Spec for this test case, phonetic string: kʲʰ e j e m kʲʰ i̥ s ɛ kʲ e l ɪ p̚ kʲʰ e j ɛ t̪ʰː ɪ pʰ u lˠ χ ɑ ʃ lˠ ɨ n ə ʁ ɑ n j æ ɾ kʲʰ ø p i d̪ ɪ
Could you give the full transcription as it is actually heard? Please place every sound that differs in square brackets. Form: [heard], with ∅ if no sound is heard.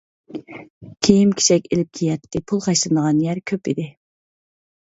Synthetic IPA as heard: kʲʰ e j [i] m kʲʰ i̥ [ʃ] ɛ kʲ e l ɪ p̚ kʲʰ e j ɛ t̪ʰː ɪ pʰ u lˠ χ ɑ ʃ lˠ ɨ n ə ʁ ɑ n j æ ɾ kʲʰ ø p i d̪ ɪ